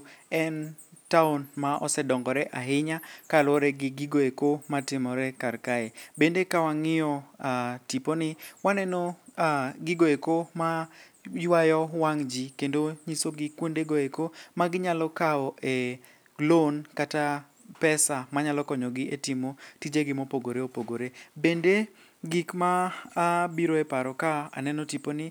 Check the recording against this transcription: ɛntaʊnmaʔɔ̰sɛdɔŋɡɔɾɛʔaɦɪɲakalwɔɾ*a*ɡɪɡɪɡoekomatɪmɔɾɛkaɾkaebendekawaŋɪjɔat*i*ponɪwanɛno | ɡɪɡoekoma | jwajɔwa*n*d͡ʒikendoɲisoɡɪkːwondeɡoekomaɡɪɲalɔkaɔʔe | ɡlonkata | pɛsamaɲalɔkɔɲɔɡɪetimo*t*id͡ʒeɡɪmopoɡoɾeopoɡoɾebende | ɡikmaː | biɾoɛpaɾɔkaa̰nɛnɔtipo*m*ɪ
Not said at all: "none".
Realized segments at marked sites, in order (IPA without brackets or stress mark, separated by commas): ɛ, i, ŋ, t, n